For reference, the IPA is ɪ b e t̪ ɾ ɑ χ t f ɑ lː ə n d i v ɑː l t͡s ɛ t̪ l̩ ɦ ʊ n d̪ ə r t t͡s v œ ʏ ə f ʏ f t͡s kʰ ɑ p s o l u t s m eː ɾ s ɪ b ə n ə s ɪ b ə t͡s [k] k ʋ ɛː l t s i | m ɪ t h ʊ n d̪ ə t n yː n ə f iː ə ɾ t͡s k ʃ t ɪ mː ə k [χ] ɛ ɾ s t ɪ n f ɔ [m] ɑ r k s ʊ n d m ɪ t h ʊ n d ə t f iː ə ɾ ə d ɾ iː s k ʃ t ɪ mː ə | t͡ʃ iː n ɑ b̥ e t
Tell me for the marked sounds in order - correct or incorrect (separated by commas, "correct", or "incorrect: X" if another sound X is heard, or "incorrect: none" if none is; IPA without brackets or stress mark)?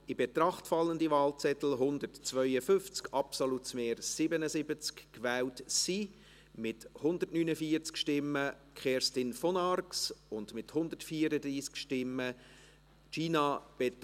correct, correct, incorrect: n